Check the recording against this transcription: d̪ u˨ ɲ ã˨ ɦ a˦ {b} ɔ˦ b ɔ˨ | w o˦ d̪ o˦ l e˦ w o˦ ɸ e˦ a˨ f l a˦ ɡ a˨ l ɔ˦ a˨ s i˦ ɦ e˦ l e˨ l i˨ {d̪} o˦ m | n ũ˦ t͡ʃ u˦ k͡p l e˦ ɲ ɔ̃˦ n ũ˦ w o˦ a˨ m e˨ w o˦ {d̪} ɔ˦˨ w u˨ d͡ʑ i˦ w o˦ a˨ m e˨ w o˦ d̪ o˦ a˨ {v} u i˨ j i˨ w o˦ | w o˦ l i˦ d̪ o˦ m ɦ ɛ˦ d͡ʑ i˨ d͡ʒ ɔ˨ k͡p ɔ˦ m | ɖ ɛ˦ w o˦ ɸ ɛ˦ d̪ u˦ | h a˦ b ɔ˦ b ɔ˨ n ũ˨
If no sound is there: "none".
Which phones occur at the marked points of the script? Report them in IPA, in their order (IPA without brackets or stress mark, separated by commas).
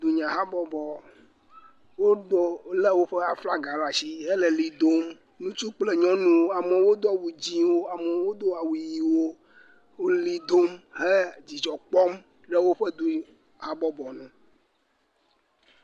b, d̪, d̪, w